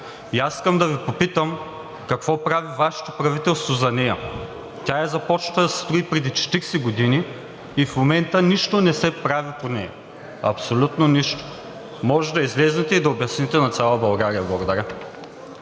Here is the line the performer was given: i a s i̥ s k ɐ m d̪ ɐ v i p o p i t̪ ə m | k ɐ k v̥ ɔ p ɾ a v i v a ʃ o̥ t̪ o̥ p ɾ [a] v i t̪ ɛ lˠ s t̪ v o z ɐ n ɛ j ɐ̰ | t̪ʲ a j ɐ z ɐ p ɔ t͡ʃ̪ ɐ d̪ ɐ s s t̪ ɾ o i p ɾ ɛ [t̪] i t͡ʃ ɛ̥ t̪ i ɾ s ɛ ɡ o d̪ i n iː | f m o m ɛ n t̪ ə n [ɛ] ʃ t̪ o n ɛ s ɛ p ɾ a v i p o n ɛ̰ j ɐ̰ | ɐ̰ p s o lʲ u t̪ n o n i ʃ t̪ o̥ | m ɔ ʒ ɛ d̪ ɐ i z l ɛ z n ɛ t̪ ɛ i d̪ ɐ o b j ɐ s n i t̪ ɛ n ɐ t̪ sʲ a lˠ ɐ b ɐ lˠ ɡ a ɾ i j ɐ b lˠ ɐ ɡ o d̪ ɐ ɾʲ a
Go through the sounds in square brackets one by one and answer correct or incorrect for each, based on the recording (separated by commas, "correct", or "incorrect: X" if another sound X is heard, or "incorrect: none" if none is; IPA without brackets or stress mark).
incorrect: ɐ, incorrect: d̪, incorrect: i